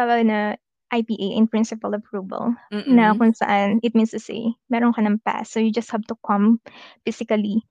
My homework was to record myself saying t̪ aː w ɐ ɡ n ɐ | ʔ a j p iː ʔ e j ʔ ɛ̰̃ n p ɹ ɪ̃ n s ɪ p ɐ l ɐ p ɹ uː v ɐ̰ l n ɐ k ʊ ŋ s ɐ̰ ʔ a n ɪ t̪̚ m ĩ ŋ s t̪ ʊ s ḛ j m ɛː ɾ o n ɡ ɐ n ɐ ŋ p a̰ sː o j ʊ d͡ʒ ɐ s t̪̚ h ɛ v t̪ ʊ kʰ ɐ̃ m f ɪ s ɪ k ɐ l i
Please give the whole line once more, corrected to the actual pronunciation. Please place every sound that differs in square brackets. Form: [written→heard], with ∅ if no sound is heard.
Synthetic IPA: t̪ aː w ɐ ɡ n ɐ | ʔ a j p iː ʔ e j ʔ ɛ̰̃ n p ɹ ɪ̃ n s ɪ p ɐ l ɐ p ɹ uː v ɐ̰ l n ɐ k ʊ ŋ s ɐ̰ ʔ a n ɪ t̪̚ m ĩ [ŋ→n] s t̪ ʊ s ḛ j m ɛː ɾ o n [ɡ→k] ɐ n ɐ ŋ p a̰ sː o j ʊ d͡ʒ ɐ s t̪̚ h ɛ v t̪ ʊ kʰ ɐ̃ m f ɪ s ɪ k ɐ l i